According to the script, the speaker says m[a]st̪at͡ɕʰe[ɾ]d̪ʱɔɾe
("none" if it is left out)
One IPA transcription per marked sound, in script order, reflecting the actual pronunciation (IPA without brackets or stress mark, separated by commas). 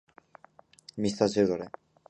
i, ɾ